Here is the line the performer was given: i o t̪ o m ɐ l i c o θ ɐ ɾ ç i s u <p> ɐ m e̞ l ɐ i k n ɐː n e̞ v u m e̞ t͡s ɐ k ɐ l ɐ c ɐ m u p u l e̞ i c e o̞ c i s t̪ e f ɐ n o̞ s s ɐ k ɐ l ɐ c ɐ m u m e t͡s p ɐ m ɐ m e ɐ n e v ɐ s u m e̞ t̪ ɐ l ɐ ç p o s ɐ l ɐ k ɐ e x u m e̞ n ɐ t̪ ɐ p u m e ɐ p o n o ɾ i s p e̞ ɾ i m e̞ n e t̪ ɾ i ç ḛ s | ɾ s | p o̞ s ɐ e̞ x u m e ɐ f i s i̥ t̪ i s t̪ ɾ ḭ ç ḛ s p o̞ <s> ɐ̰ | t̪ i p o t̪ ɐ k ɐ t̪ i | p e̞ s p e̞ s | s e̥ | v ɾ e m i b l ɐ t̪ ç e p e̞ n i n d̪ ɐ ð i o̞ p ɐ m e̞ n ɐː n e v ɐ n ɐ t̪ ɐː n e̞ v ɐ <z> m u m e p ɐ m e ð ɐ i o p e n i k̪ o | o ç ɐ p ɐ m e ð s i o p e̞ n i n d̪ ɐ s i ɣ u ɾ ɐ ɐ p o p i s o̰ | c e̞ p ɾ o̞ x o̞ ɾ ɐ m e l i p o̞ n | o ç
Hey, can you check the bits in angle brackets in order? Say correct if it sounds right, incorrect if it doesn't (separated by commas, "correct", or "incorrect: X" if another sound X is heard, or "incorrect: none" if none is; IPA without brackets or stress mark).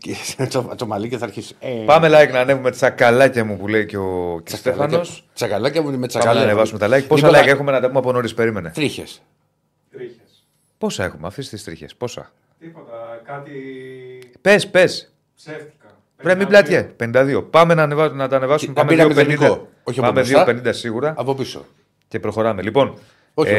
correct, correct, incorrect: s